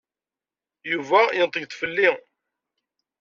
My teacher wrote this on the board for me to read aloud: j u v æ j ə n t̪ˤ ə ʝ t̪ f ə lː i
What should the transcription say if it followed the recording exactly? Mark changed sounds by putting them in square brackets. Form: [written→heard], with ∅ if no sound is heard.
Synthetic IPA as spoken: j u v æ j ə n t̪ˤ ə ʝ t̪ f ə lː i

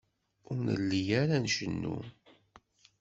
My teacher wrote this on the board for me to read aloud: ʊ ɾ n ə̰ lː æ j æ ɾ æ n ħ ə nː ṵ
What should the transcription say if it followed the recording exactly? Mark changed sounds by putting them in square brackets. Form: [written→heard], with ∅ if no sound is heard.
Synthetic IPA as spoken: ʊ ɾ n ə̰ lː [æ→i] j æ ɾ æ n [ħ→ʃ] ə nː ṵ

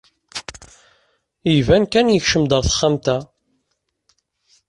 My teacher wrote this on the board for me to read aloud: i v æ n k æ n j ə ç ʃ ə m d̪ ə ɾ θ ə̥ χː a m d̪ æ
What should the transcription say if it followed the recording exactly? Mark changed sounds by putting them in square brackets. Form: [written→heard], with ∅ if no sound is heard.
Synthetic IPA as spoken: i v æ n k æ n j ə ç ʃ ə m d̪ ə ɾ θ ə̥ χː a m [d̪→t̪] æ

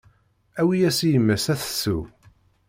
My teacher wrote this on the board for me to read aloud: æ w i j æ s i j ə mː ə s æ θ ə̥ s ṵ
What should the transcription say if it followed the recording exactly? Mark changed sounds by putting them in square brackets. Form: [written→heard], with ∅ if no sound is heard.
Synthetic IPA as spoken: æ w i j æ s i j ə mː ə s æ θ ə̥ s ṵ

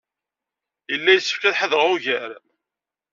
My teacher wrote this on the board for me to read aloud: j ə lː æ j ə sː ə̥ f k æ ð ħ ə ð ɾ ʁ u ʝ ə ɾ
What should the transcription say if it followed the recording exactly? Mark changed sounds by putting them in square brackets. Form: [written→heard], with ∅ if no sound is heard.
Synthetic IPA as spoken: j ə lː æ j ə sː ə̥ f k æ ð ħ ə ð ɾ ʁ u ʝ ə ɾ

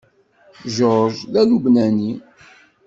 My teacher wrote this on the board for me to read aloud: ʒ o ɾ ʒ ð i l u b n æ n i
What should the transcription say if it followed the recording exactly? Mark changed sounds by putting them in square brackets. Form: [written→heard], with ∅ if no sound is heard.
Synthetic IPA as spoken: ʒ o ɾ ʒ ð [i→æ] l u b n æ n i

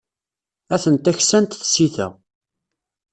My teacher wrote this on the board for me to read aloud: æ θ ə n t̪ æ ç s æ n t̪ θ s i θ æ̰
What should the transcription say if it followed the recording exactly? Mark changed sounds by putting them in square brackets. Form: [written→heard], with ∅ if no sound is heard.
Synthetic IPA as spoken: æ θ ə n t̪ æ ç s æ n t̪ θ s i θ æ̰

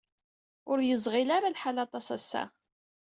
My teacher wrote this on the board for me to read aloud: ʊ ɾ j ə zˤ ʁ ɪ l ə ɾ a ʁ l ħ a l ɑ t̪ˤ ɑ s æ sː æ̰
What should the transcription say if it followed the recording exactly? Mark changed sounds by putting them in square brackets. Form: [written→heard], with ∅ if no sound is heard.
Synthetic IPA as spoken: ʊ ɾ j ə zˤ ʁ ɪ l [ə→a] ɾ a [ʁ→∅] l ħ a l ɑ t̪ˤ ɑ s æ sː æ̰

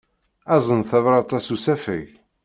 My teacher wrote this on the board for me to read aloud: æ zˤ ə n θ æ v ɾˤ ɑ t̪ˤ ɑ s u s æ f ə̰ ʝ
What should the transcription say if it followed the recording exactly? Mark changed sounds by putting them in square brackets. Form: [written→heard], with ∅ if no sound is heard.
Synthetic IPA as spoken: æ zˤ ə n θ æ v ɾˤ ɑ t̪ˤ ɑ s u s æ f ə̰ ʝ

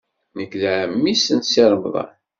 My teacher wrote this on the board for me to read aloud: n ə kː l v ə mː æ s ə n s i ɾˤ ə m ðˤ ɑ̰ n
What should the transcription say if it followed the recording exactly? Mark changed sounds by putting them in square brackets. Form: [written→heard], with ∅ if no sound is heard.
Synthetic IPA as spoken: n ə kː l [v→ʕ] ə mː [æ→i] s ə n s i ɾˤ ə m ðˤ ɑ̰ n

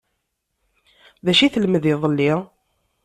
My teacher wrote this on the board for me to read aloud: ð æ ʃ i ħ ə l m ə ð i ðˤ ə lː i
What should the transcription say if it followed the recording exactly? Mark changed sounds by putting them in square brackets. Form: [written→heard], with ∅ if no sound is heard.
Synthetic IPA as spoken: ð æ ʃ i [ħ→θ] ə l m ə ð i ðˤ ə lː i

